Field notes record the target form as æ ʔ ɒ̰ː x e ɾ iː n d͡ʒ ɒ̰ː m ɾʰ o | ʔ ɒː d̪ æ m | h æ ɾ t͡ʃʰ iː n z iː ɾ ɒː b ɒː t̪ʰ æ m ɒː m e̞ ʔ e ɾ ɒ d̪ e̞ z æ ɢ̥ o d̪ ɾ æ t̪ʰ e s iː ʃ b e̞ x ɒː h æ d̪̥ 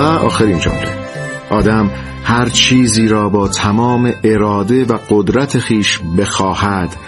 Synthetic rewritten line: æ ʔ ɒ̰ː x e ɾ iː n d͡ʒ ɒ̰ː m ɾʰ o | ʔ ɒː d̪ æ m | h æ ɾ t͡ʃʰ iː z iː ɾ ɒː b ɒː t̪ʰ æ m ɒː m e̞ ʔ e ɾ ɒː d̪ e̞ v æ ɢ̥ o d̪ ɾ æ t̪ʰ e x iː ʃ b e̞ x ɒː h æ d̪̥